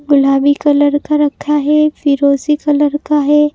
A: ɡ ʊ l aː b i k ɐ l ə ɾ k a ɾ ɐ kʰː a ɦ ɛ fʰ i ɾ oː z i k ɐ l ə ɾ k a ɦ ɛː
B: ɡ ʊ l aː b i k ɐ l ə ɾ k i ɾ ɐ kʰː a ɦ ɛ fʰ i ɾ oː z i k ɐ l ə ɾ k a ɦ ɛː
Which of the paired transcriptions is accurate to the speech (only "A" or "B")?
A